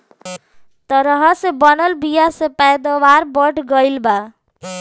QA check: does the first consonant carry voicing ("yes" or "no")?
no